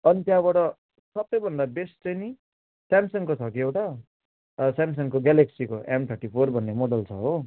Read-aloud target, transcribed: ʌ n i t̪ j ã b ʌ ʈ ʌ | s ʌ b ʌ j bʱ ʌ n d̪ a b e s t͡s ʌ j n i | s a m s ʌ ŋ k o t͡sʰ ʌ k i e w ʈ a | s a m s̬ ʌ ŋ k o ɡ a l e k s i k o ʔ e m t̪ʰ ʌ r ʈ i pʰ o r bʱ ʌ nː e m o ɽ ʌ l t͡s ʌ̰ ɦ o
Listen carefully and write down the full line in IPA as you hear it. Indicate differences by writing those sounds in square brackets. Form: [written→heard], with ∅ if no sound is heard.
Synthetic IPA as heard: ʌ n i t̪ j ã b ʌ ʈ ʌ | s ʌ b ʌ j bʱ ʌ n d̪ a b e s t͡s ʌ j n i | s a m s ʌ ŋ k o t͡sʰ ʌ k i e w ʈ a | s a m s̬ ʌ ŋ k o ɡ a l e k s i k o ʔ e m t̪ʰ ʌ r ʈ i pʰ o r bʱ ʌ nː e m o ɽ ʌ l [t͡s→t͡sʰ] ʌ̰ ɦ o